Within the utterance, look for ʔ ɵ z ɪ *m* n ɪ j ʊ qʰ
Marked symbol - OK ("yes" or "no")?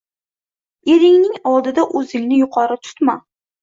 no